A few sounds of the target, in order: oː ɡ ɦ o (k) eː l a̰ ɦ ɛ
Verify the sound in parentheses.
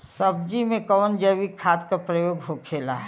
incorrect: kʰ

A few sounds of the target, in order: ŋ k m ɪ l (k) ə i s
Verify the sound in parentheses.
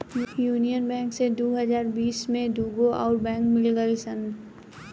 incorrect: ɡ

